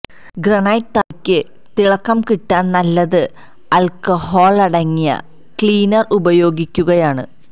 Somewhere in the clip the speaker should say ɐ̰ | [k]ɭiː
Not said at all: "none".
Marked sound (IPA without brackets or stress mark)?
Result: k